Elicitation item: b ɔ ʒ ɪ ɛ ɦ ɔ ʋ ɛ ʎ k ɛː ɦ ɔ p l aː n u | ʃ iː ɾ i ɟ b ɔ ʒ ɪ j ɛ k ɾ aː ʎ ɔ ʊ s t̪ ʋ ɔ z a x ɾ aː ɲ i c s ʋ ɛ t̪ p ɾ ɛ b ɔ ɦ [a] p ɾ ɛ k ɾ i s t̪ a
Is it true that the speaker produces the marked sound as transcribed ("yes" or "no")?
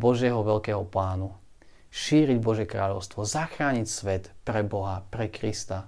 yes